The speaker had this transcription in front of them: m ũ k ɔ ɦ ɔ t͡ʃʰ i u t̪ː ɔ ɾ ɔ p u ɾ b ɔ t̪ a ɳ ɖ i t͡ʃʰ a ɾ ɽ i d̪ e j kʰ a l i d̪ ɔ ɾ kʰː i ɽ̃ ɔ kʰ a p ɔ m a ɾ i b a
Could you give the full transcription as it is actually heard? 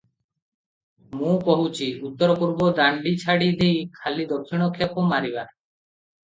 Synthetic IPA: m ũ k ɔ ɦ u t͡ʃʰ i u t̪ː ɔ ɾ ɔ p u ɾ b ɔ d̪ a ɳ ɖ i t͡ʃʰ a ɽ i d̪ e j kʰ a l i d̪ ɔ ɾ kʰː i ɽ̃ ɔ kʰ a p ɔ m a ɾ i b a